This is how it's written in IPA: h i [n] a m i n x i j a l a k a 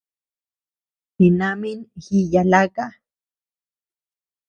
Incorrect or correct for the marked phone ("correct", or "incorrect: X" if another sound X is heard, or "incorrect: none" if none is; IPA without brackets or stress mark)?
correct